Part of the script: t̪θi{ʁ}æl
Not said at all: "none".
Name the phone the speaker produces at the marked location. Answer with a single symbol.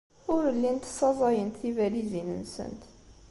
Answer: v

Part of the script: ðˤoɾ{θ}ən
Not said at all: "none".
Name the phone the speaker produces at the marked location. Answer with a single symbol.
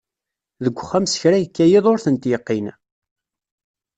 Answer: θ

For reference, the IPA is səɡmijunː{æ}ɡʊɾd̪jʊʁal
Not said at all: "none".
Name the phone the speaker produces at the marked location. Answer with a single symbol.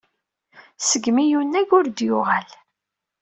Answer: æ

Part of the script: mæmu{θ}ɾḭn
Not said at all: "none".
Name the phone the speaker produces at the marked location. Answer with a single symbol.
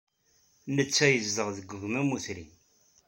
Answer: θ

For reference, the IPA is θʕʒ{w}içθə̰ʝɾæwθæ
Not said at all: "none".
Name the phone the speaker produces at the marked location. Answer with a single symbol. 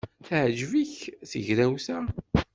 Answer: v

